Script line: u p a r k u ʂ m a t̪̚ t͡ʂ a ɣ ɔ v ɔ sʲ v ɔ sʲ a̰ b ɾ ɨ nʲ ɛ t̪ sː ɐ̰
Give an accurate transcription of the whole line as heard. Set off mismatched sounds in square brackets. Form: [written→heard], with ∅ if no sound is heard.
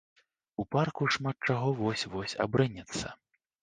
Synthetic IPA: u p a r k u ʂ m a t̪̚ t͡ʂ a ɣ ɔ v ɔ sʲ v ɔ sʲ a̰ b ɾ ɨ nʲ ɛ t̪ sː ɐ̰